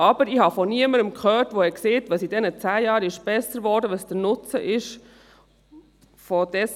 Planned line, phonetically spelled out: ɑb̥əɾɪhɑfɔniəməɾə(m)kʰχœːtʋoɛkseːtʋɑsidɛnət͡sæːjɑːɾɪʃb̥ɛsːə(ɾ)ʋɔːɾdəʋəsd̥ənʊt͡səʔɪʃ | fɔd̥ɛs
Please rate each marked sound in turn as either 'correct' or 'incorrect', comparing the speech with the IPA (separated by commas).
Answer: correct, correct